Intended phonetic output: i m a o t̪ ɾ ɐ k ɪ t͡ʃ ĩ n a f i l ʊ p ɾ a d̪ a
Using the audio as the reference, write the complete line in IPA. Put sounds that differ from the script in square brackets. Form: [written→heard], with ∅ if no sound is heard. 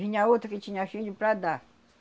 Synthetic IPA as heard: i [m→ɲ] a o t̪ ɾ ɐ k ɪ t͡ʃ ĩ [n→ɲ] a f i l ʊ p ɾ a d̪ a

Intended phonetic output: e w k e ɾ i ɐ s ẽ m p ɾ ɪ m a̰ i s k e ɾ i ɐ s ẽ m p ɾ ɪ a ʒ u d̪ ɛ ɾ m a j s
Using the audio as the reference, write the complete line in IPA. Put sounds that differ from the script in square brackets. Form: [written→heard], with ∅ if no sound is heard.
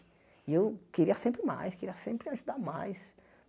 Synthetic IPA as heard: e w k e ɾ i ɐ s ẽ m p ɾ ɪ m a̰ [i→j] s k e ɾ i ɐ s ẽ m p ɾ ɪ a ʒ u d̪ [ɛ→a] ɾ m a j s

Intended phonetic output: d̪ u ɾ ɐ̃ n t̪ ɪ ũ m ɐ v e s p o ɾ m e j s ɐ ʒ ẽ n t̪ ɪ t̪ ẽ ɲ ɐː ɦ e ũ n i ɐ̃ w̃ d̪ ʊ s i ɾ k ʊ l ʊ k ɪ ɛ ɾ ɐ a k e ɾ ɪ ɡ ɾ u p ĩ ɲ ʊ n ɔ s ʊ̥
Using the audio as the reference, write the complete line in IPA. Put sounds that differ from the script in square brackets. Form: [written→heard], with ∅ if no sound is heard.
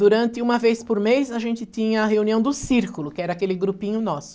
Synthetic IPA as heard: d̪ u ɾ ɐ̃ n t̪ ɪ ũ m ɐ v e s p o ɾ m e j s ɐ ʒ ẽ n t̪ ɪ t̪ [ẽ→ĩ] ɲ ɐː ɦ e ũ n i ɐ̃ w̃ d̪ ʊ s i ɾ k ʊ l ʊ k ɪ ɛ ɾ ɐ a k e [ɾ→l] ɪ ɡ ɾ u p ĩ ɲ ʊ n ɔ s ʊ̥

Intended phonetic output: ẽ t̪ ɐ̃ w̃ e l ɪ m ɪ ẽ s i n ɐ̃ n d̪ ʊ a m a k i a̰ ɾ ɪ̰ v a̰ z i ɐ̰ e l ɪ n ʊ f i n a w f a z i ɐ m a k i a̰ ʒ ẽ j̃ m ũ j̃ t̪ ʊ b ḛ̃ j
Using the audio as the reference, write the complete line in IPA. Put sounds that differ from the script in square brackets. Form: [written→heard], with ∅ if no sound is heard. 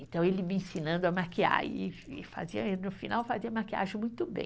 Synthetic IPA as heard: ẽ t̪ ɐ̃ w̃ e l ɪ m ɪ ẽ s i n ɐ̃ n d̪ ʊ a m a k i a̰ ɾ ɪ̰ [v→f] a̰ z i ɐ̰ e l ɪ n ʊ f i n a w f a z i ɐ m a k i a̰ ʒ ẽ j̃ m ũ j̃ t̪ ʊ b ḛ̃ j

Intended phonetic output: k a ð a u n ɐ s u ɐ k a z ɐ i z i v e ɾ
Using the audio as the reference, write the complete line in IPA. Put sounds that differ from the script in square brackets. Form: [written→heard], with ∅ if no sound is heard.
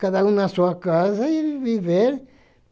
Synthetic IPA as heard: k a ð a [u→ũ] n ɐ s u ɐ k a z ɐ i [z→v] i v e ɾ

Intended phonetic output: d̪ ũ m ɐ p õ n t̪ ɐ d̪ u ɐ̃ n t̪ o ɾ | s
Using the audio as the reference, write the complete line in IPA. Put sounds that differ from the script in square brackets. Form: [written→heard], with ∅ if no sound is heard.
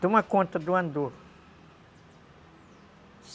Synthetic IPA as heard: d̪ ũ m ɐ [p→k] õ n t̪ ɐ d̪ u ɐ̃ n [t̪→d̪] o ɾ | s

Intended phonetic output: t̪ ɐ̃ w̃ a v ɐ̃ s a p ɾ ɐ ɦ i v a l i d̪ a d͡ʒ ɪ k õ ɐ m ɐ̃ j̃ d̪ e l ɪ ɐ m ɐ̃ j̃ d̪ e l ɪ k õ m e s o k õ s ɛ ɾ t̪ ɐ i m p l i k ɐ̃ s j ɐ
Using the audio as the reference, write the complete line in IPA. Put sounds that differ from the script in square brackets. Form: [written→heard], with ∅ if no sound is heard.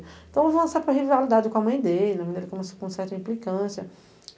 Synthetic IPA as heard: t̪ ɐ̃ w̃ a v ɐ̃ s a p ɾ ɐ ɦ i v a l i d̪ a d͡ʒ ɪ k õ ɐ m ɐ̃ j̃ d̪ e l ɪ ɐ m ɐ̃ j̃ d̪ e l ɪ k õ m e s o k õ s ɛ ɾ t̪ ɐ [i→ĩ] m p l i k ɐ̃ s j ɐ

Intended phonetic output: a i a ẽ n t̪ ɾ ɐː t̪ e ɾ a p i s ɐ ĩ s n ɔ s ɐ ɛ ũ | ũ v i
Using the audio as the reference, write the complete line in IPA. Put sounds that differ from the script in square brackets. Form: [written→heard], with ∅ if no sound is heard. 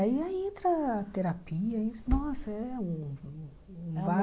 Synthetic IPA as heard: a i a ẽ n t̪ ɾ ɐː t̪ e ɾ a p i [s→∅] ɐ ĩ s n ɔ s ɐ ɛ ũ | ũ v [i→a]

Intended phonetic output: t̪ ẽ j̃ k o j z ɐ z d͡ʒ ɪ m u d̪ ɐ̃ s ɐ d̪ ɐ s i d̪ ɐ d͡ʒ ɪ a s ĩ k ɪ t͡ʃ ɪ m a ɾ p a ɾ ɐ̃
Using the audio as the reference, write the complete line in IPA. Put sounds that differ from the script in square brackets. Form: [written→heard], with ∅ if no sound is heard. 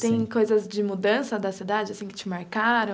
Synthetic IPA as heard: t̪ ẽ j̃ k o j z ɐ z d͡ʒ ɪ m u d̪ ɐ̃ s ɐ d̪ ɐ s i d̪ [ɐ→a] d͡ʒ ɪ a s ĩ k ɪ t͡ʃ ɪ m a ɾ [p→k] a ɾ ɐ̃

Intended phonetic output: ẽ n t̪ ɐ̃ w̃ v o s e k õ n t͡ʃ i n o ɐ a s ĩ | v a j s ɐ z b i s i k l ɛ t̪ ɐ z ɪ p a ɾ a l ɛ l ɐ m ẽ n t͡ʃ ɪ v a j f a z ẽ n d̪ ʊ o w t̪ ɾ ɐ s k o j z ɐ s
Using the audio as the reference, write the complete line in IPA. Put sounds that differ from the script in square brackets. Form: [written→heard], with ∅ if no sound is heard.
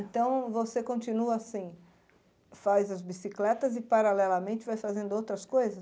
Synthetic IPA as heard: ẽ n t̪ ɐ̃ w̃ v o s e k õ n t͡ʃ i n [o→u] ɐ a s ĩ | [v→f] a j [s→z] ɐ z b i s i k l ɛ t̪ ɐ z ɪ p a ɾ a l ɛ l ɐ m ẽ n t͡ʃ ɪ v a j f a z ẽ n d̪ ʊ o w t̪ ɾ ɐ s k o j z ɐ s

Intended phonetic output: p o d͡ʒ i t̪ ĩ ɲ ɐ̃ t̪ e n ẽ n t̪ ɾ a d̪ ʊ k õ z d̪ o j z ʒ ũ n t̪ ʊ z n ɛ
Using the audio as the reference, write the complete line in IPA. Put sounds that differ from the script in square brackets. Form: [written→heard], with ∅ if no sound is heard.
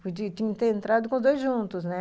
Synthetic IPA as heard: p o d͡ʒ i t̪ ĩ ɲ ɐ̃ t̪ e [n→∅] ẽ n t̪ ɾ a d̪ ʊ k õ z d̪ o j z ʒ ũ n t̪ ʊ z n ɛ

